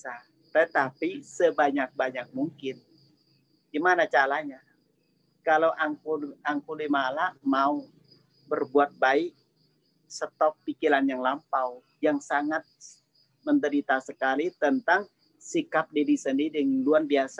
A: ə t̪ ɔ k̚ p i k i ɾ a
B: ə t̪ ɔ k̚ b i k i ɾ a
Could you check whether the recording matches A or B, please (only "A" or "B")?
A